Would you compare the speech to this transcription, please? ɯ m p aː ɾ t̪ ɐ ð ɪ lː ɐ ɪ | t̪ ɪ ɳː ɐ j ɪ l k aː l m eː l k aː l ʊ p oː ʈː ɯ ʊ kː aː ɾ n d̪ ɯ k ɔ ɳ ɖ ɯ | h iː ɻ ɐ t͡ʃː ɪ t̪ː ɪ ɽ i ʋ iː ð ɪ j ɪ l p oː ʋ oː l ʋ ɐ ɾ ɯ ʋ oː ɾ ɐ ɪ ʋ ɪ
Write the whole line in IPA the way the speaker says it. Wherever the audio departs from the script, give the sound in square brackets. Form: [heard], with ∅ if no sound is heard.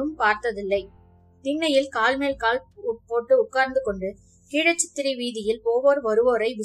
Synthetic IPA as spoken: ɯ m p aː ɾ t̪ ɐ ð ɪ lː ɐ ɪ | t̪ ɪ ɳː ɐ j ɪ l k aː l m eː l k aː l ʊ p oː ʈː ɯ ʊ kː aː ɾ n d̪ ɯ k ɔ ɳ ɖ ɯ | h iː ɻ ɐ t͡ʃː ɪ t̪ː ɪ [ɾ] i ʋ iː ð ɪ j ɪ l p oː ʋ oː [ɾ] ʋ ɐ ɾ ɯ ʋ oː ɾ ɐ ɪ ʋ ɪ